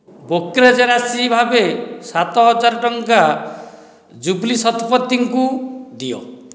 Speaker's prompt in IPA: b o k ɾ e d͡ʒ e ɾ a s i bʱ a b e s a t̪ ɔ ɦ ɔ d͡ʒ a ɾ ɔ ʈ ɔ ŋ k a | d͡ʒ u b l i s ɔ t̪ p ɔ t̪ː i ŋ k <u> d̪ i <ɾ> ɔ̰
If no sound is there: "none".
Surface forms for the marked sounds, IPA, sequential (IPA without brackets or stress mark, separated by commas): u, none